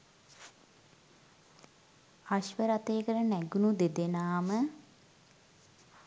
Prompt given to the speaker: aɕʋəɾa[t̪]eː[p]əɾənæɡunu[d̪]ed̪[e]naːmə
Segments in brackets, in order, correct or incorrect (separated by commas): correct, incorrect, correct, correct